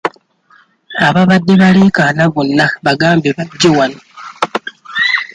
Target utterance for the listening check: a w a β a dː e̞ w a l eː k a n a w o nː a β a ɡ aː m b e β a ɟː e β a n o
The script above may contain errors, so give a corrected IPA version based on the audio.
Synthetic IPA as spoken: a β a β a dː e̞ β a l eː k a n a β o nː a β a ɡ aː m b e β a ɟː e w a n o